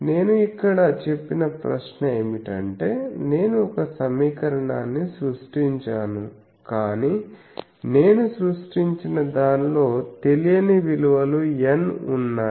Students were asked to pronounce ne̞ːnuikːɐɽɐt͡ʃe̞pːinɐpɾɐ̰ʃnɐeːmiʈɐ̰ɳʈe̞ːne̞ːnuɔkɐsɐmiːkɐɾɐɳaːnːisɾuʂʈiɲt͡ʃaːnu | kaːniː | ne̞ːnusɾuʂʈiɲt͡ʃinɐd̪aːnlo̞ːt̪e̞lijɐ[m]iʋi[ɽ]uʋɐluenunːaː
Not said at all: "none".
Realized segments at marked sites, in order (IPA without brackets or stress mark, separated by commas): n, l